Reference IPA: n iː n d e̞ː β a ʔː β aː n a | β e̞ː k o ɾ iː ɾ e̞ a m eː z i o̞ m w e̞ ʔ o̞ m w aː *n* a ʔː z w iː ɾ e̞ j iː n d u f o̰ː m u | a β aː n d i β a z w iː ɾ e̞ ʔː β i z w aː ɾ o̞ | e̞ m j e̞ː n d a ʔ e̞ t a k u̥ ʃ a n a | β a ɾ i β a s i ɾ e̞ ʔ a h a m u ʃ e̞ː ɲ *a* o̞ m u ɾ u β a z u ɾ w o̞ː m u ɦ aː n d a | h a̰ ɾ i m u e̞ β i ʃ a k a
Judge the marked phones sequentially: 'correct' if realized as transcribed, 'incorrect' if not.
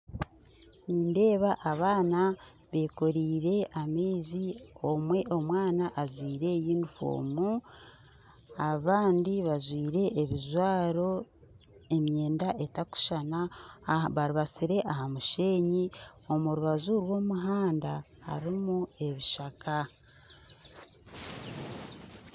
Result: correct, incorrect

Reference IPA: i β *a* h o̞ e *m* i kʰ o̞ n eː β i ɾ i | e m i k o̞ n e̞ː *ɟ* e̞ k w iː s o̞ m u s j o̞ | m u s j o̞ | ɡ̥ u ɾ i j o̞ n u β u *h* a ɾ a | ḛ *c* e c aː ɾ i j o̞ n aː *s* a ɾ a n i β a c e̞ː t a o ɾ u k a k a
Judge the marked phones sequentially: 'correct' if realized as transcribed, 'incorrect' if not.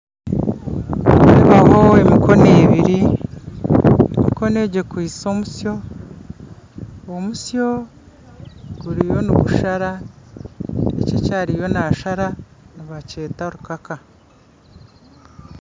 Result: correct, correct, correct, incorrect, correct, incorrect

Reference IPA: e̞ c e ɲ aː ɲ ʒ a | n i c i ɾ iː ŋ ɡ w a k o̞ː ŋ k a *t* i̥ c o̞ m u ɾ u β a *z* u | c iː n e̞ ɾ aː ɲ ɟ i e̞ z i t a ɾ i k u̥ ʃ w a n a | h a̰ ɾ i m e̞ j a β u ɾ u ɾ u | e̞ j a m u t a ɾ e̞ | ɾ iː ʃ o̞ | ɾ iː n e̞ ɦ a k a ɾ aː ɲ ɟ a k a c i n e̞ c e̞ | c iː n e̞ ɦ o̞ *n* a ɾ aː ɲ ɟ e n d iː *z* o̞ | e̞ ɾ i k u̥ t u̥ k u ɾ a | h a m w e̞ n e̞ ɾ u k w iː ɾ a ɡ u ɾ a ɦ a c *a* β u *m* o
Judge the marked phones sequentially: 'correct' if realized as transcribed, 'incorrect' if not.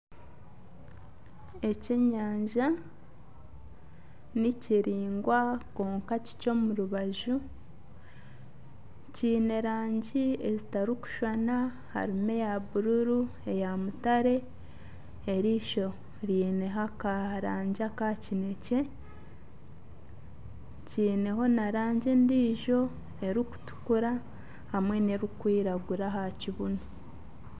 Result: incorrect, incorrect, correct, incorrect, incorrect, incorrect

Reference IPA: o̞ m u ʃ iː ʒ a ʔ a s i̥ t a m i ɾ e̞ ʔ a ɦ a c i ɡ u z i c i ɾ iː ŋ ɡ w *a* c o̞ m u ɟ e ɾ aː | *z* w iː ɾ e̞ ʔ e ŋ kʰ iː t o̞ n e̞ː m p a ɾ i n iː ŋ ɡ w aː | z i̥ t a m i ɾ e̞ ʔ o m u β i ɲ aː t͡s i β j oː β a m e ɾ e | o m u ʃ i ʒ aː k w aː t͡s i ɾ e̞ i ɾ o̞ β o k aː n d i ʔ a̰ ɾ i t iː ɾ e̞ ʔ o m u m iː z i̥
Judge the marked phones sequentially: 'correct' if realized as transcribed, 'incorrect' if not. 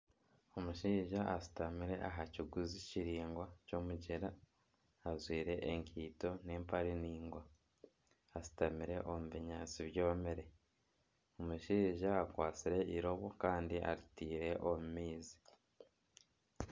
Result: correct, correct

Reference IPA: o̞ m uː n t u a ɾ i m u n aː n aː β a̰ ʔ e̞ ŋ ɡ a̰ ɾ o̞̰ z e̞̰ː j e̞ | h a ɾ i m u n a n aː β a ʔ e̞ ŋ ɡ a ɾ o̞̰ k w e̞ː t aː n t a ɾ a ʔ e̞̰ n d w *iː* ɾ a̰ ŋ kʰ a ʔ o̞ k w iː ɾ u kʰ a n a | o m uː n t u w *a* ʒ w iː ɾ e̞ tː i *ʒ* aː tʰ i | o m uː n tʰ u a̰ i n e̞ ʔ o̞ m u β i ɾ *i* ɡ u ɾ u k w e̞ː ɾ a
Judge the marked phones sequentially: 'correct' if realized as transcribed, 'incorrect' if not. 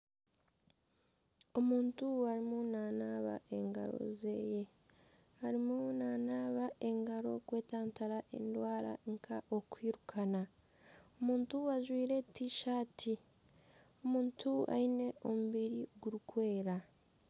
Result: incorrect, correct, incorrect, correct

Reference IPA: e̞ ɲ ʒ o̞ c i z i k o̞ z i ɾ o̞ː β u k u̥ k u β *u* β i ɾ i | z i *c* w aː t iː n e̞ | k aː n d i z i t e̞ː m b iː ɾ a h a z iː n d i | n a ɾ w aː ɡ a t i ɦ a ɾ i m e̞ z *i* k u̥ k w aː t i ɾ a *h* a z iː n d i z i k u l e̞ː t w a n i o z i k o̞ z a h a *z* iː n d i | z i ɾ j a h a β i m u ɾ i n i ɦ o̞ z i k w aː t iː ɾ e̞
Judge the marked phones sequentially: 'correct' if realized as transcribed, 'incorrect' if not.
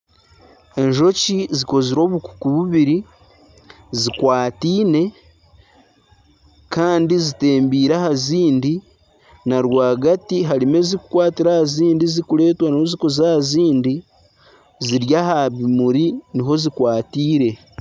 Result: correct, incorrect, correct, correct, correct

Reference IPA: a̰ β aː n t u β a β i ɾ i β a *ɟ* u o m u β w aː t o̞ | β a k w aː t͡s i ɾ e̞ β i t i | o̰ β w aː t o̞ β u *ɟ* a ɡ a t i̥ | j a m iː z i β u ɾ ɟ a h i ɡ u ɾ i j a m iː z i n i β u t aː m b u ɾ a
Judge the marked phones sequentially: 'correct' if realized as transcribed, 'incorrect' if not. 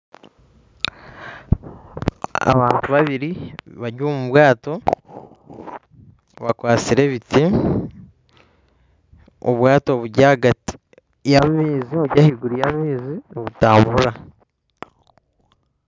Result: correct, correct

